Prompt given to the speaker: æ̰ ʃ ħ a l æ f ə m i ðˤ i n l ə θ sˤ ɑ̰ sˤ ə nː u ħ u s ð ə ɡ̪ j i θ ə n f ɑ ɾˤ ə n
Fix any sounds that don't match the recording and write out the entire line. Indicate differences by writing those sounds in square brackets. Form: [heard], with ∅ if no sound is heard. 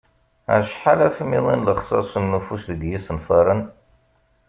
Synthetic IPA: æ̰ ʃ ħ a l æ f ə m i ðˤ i n l ə [χ] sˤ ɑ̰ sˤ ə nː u [f] u s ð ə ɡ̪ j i [s] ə n f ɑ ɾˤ ə n

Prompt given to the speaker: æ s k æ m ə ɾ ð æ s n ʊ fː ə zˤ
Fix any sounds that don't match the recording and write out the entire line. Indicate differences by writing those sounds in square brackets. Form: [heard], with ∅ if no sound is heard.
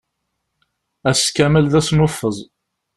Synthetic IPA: æ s k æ m ə [l] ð æ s n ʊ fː ə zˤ

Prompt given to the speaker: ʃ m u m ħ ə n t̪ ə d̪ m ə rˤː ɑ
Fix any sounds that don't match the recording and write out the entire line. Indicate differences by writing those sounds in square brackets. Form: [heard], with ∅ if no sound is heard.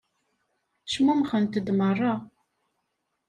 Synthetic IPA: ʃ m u m [χ] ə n t̪ ə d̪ m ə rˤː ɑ

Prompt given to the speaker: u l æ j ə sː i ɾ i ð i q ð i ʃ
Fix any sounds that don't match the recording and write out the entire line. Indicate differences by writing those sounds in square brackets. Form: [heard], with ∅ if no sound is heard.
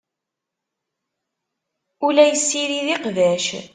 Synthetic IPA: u l æ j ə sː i ɾ i ð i q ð [æ] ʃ

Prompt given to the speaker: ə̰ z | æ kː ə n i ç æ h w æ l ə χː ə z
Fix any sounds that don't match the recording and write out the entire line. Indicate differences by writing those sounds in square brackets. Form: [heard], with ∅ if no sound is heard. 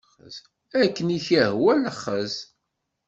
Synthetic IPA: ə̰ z | æ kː ə n i ç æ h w æ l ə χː ə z

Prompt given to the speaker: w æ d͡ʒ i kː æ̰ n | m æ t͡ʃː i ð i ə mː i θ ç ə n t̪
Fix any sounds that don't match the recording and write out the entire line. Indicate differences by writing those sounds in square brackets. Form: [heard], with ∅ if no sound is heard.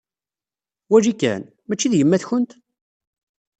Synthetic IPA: w æ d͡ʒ i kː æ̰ n | m æ t͡ʃː i ð [j] ə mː [æ] θ ç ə n t̪

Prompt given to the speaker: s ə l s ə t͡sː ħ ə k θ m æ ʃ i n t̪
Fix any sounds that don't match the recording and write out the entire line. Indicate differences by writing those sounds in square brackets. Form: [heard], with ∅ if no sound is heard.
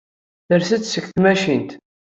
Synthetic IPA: [θ] ə [ɾ] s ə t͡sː [s] ə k θ m æ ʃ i n t̪

